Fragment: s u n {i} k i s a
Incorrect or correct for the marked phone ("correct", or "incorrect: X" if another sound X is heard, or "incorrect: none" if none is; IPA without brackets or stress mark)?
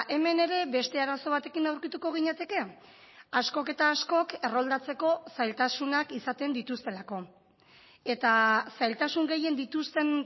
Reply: incorrect: a